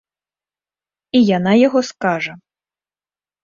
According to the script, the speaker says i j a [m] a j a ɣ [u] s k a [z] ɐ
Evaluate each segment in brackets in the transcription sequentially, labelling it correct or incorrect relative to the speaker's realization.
incorrect: n, incorrect: ɔ, incorrect: ʐ

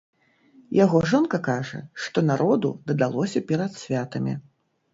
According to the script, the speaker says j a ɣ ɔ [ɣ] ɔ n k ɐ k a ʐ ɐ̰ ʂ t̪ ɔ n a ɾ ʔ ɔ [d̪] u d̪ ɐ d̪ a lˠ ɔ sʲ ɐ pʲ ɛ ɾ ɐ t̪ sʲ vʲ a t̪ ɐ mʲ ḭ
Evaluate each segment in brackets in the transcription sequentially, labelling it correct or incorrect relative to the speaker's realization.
incorrect: ʐ, correct

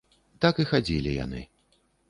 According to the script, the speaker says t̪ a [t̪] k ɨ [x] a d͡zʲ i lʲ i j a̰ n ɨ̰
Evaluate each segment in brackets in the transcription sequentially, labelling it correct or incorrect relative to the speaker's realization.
incorrect: none, correct

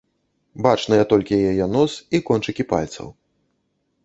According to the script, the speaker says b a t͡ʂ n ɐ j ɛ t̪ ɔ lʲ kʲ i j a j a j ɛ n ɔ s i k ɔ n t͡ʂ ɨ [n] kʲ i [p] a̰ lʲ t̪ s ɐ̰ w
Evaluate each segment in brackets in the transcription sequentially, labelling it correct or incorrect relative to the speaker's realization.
incorrect: none, correct

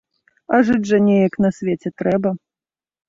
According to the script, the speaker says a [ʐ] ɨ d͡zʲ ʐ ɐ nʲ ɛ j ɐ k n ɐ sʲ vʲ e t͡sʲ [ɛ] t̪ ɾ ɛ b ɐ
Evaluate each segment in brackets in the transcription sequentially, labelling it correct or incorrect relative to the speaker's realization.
correct, correct

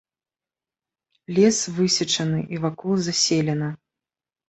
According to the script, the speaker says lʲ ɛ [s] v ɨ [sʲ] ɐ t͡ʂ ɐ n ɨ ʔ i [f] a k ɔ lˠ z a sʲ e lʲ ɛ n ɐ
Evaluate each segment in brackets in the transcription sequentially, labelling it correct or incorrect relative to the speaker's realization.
correct, correct, incorrect: v

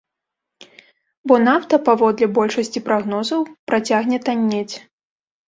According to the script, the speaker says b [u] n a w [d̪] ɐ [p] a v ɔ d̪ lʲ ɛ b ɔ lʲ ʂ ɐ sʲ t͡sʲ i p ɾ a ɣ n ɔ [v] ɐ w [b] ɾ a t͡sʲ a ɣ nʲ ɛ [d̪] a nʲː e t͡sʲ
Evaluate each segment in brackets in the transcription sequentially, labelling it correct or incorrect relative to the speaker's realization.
incorrect: ɔ, incorrect: t̪, correct, incorrect: z, incorrect: p, incorrect: t̪

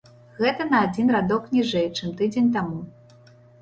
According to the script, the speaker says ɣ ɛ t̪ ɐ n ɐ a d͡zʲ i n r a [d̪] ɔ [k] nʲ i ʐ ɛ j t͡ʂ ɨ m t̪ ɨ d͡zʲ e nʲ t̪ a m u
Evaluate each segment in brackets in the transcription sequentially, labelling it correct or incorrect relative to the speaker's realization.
correct, correct

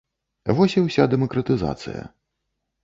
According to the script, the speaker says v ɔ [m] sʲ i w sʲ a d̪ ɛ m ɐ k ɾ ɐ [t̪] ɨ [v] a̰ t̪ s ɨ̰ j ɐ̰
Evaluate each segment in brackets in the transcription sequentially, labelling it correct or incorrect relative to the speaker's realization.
incorrect: none, correct, incorrect: z

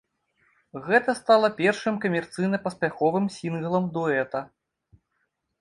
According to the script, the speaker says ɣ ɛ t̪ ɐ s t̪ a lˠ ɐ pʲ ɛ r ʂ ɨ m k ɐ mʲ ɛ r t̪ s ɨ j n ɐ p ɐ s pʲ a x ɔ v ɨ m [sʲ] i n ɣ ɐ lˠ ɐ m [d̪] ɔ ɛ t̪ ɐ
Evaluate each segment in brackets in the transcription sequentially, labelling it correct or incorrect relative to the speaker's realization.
correct, correct

